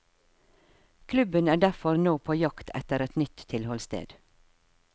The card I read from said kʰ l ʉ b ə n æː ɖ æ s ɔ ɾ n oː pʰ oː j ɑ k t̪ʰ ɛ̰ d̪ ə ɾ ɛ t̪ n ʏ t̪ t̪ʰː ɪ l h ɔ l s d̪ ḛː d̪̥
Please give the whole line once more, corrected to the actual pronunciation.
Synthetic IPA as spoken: kʰ l ʉ b ə n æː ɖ æ f ɔ ɾ n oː pʰ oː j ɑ k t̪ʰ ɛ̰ t̪ ə ɾ ɛ t̪ n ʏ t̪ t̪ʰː ɪ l h ɔ l s t̪ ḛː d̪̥